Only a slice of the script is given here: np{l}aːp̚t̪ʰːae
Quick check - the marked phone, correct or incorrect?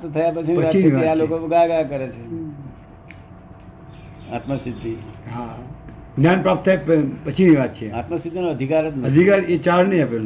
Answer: incorrect